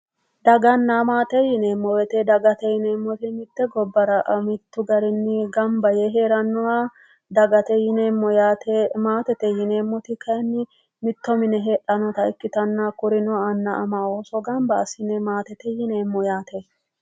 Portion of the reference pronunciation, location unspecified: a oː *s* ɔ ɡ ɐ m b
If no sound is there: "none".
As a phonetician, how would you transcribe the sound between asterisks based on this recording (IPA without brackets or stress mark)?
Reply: s